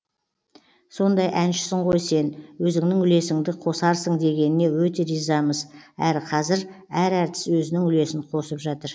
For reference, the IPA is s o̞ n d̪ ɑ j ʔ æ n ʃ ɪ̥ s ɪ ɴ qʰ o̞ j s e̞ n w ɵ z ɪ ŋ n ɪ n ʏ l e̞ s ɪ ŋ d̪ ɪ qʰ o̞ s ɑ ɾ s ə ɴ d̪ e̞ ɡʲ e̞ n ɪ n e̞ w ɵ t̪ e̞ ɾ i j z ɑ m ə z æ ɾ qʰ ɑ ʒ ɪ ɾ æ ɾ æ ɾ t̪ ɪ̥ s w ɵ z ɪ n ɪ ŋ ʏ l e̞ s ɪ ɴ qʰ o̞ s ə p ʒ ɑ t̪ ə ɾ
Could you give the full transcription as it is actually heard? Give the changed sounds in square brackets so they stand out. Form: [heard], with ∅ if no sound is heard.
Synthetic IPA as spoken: s o̞ n d̪ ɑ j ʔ æ n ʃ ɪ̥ s ɪ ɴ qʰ o̞ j s e̞ n w ɵ z ɪ ŋ n ɪ [ŋ] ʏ l e̞ s ɪ ŋ d̪ ɪ qʰ o̞ s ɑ ɾ s ə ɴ d̪ e̞ ɡʲ e̞ n ɪ n e̞ w ɵ t̪ e̞ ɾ i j z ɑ m ə z æ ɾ qʰ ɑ [z] ɪ ɾ æ ɾ æ ɾ t̪ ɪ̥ s w ɵ z ɪ n ɪ ŋ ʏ l e̞ s ɪ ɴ qʰ o̞ s ə p ʒ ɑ t̪ ə ɾ